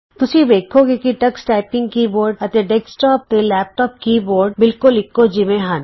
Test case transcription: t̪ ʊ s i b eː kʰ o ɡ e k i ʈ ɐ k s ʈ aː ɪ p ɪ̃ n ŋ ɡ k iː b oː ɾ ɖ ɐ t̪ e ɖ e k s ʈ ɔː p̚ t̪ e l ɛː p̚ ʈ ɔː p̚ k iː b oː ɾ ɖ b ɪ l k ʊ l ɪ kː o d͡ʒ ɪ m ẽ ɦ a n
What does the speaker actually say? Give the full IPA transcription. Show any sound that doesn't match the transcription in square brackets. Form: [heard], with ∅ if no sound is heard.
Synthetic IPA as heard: t̪ ʊ s i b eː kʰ o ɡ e k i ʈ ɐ k s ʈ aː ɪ p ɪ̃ [∅] ŋ ɡ k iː b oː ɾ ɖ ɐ t̪ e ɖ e k s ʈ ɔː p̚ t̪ e l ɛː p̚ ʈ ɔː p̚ k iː b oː ɾ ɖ b ɪ l k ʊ l ɪ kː o d͡ʒ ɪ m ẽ ɦ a n